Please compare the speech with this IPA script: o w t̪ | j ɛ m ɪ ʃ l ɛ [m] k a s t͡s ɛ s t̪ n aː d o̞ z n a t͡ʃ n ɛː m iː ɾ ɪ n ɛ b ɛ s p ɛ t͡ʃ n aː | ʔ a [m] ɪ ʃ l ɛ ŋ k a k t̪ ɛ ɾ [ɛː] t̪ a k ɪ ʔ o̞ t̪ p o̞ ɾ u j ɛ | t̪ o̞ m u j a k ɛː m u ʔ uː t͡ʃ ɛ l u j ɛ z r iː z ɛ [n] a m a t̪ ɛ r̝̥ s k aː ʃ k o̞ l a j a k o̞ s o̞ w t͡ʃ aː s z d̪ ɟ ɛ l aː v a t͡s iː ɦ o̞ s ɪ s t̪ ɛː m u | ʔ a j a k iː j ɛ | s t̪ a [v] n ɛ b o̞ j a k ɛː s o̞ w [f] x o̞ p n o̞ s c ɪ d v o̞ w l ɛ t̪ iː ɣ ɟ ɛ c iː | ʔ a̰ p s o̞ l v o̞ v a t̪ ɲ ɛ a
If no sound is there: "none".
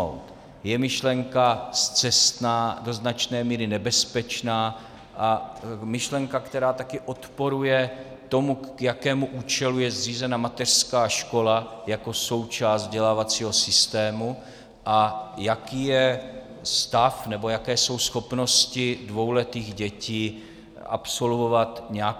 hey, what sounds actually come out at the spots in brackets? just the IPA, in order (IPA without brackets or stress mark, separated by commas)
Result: ŋ, m, aː, n, f, s